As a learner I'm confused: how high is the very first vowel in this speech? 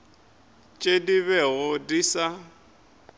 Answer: mid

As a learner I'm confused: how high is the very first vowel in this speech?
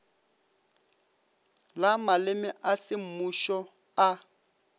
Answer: low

